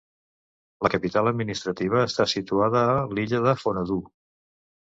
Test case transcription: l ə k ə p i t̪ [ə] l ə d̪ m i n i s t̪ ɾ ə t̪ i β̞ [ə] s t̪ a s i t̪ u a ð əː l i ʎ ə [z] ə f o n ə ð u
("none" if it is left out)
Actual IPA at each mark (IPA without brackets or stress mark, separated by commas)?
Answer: a, əː, ð